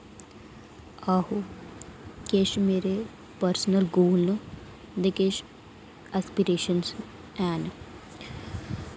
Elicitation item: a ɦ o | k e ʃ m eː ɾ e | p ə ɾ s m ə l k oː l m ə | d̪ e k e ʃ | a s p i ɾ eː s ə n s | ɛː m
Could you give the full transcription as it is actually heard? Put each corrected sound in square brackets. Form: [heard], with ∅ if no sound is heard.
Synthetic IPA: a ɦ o | k e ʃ m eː ɾ e | p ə ɾ s [n] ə l [ɡ] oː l [n] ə | d̪ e k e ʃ | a s p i ɾ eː [ʃ] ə n s | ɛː [n]